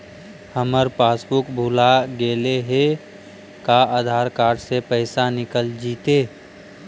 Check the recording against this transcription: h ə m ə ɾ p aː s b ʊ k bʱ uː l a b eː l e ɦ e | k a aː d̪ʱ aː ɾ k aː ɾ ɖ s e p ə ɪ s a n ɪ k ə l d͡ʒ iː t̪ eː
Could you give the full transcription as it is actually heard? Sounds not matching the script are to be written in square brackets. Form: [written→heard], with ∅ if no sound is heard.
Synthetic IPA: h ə m ə ɾ p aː s b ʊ k bʱ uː l a [b→ɡ] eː l e ɦ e | k a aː d̪ʱ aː ɾ k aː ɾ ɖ s e p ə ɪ s a n ɪ k ə l d͡ʒ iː t̪ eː